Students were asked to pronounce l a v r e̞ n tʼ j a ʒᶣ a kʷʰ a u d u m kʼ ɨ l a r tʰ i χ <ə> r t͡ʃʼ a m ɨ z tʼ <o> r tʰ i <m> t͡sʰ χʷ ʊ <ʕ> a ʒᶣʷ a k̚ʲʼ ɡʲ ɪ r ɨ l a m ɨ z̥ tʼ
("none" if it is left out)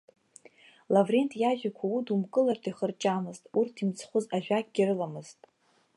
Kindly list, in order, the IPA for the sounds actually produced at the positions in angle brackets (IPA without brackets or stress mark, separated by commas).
ə, u, m, z